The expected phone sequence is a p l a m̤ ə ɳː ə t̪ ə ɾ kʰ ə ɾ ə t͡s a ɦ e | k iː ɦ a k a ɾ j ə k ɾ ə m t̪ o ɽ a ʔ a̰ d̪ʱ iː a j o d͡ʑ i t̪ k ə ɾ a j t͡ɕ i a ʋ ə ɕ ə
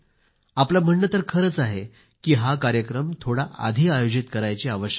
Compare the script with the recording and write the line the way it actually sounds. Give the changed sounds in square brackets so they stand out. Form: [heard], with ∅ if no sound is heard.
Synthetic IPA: a p l a m̤ ə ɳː ə t̪ ə ɾ kʰ ə ɾ ə t͡s a ɦ e | k iː ɦ a k a ɾ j ə k ɾ ə m [t̪ʰ] o ɽ a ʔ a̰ d̪ʱ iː a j o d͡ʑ i t̪ k ə ɾ a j t͡ɕ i a ʋ ə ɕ ə